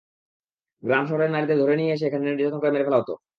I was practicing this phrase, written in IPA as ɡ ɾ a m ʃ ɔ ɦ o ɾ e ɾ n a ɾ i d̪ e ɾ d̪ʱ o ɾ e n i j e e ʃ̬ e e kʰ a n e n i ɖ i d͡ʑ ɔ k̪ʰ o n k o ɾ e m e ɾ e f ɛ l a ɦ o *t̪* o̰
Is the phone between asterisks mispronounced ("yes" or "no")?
no